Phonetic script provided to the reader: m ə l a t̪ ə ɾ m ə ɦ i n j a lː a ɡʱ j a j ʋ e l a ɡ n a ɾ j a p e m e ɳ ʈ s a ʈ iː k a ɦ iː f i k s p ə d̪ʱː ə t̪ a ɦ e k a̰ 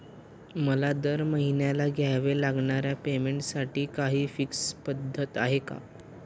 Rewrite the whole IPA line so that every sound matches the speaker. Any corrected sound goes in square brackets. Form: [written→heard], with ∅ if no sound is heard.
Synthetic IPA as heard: m ə l a [t̪→d̪] ə ɾ m ə ɦ i n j a [lː→l] a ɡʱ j a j ʋ e l a ɡ [n→ɳ] a ɾ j a p e m e ɳ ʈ s a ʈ iː k a ɦ iː f i k s p ə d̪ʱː ə t̪ a ɦ e k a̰